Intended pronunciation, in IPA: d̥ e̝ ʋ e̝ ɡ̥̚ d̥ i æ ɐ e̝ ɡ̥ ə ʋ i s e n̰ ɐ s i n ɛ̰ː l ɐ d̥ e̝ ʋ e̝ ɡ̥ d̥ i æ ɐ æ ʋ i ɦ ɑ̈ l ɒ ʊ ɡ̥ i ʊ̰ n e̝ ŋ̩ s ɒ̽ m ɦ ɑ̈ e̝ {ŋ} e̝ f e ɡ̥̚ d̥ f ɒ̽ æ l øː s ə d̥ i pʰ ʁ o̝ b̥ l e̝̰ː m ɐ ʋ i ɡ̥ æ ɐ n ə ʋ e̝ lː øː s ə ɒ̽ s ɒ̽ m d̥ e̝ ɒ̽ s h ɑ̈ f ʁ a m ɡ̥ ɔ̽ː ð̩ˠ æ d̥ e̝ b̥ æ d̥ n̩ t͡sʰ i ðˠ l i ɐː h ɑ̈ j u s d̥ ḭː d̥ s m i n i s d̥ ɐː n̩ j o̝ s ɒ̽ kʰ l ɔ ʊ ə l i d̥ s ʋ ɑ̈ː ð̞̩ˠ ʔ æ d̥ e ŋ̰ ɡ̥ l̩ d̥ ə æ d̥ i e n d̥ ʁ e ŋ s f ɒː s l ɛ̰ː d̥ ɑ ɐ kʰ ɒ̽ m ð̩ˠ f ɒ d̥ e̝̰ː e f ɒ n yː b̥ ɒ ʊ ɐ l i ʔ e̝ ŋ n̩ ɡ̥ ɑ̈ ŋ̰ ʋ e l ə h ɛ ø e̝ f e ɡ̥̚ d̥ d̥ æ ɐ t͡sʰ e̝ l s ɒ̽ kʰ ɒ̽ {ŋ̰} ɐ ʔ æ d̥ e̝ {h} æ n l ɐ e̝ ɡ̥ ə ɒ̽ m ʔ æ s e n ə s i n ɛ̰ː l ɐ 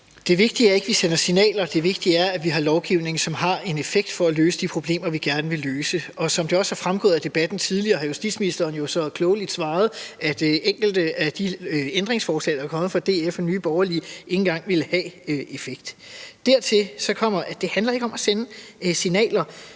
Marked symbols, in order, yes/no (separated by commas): no, no, yes